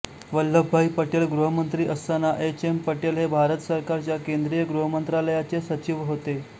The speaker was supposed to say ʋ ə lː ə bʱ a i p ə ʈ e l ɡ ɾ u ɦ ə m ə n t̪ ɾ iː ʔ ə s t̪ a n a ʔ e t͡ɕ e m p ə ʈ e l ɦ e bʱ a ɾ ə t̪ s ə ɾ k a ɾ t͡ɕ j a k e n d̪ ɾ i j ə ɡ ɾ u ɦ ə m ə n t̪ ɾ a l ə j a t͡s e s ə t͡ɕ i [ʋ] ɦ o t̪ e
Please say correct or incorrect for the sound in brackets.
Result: correct